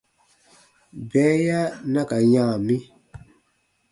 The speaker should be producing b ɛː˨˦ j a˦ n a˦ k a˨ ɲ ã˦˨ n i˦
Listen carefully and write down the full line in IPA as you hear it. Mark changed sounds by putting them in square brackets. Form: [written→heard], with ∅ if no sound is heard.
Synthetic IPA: b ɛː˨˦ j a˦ n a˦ k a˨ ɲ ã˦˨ [n→m] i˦